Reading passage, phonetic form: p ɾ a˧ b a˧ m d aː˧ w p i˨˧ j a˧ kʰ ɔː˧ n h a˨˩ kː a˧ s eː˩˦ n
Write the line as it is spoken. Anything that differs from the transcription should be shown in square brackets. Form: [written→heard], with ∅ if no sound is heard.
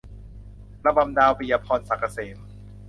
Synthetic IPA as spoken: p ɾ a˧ b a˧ m d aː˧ w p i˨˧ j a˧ [kʰ→pʰ] ɔː˧ n [h→s] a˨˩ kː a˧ s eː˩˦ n